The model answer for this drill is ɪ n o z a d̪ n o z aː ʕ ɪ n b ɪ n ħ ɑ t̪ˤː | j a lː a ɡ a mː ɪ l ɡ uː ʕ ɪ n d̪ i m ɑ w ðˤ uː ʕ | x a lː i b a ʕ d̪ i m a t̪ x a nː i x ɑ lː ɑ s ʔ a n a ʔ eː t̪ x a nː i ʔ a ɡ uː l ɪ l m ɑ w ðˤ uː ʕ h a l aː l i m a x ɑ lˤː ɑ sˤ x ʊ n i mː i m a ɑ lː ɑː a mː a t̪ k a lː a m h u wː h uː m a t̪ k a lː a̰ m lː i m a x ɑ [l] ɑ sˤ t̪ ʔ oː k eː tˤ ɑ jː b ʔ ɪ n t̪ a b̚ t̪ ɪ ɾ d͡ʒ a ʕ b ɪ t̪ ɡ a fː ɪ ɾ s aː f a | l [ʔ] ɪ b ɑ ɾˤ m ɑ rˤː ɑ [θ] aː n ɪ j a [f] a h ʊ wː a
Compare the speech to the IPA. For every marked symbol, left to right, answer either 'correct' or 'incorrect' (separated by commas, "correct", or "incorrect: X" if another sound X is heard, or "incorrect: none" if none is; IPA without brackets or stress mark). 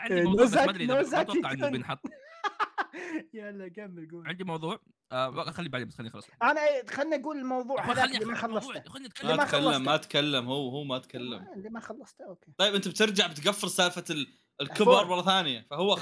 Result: incorrect: lː, incorrect: k, correct, correct